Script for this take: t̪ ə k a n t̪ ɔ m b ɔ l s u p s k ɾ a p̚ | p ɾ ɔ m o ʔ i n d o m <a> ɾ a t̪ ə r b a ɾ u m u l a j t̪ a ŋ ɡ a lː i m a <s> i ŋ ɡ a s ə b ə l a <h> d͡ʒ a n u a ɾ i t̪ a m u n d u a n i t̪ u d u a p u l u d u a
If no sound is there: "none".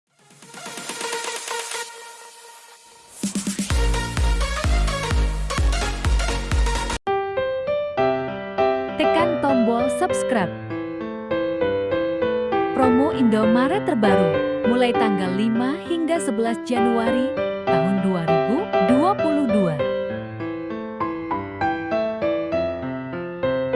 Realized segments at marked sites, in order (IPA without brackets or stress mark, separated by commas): a, h, s